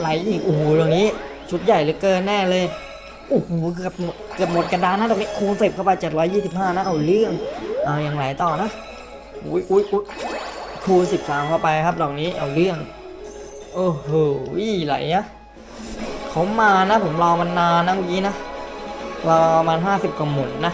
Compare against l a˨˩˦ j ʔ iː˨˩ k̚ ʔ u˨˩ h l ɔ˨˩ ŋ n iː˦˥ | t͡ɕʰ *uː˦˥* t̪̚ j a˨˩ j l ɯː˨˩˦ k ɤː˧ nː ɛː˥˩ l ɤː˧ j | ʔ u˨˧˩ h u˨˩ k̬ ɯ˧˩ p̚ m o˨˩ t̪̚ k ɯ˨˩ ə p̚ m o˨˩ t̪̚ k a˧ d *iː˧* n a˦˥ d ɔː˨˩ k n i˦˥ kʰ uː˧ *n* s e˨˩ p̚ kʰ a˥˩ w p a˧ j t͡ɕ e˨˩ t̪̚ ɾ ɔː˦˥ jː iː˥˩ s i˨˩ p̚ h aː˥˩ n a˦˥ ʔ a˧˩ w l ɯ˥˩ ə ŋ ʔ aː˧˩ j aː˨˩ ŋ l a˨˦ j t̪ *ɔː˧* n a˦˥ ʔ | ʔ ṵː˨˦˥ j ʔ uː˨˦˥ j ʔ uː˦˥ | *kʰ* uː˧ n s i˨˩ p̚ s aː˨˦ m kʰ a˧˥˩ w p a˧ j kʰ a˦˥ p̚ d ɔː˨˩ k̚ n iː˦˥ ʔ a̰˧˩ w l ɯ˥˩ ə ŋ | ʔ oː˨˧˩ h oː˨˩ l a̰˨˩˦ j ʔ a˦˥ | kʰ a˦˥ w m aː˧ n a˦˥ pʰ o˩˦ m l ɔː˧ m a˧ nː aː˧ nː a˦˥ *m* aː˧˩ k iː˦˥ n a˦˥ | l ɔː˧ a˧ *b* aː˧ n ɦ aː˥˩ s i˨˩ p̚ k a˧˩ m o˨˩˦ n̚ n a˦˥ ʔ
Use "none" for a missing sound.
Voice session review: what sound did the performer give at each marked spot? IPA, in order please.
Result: u˦˥, aː˧, n, ɔː˨˩, kʰ, m, m

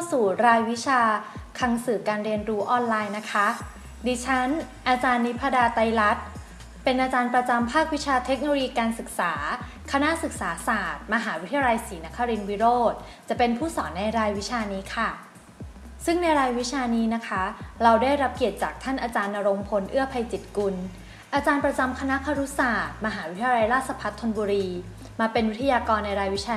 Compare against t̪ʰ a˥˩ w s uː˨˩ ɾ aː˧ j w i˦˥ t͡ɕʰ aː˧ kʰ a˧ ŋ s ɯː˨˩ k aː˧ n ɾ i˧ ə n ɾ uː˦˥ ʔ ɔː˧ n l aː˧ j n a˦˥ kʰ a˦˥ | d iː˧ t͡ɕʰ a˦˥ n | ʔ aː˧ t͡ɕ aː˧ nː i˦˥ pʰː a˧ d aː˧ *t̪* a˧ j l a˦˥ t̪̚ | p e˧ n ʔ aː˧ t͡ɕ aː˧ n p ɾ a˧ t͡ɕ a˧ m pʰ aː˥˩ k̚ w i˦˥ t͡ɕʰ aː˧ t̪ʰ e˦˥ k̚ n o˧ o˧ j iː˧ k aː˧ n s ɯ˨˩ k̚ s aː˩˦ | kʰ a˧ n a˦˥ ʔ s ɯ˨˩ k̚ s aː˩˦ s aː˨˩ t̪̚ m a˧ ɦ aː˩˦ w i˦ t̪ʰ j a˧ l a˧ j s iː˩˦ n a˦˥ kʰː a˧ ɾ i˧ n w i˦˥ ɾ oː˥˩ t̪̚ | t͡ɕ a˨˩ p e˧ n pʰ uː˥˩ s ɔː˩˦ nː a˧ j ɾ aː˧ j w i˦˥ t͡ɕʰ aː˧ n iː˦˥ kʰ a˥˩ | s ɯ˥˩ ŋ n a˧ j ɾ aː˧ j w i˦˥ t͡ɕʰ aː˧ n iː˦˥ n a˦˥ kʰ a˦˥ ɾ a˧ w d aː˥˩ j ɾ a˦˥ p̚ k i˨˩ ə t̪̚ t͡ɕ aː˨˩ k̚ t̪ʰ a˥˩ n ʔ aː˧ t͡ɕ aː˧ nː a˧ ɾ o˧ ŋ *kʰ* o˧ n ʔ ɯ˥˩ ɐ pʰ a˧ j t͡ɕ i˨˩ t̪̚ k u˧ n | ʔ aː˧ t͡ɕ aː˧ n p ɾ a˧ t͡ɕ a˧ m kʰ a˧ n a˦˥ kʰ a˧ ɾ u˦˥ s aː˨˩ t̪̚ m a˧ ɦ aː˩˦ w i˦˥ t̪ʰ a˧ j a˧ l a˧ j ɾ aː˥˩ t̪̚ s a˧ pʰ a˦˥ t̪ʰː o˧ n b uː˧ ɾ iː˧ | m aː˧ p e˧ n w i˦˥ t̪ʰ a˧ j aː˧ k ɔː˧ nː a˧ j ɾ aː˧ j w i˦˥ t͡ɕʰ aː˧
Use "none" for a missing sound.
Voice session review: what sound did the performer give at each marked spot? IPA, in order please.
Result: t̪, pʰ

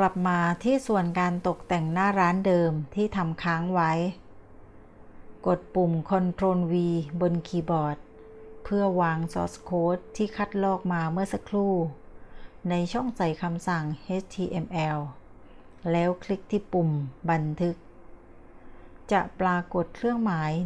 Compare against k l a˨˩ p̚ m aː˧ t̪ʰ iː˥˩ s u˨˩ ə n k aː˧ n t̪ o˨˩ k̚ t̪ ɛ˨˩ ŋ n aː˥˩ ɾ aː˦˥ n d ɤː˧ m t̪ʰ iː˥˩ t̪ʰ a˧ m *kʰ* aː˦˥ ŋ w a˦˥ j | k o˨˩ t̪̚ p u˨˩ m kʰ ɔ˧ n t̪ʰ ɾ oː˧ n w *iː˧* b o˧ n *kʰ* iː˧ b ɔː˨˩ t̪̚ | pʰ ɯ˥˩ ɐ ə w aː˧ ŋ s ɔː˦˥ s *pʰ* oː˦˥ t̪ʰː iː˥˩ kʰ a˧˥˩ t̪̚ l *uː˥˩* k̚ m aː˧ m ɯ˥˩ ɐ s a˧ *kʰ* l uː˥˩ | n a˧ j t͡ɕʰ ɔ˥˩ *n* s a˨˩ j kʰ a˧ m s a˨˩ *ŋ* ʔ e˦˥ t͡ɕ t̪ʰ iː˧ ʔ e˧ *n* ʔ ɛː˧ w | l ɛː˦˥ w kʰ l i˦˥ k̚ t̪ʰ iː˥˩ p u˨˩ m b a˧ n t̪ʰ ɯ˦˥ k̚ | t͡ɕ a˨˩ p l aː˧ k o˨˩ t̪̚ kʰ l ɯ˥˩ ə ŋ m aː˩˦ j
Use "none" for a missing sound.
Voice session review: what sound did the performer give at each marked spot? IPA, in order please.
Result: kʰ, iː˧, kʰ, kʰ, ɔː˥˩, kʰ, ŋ, ŋ, m

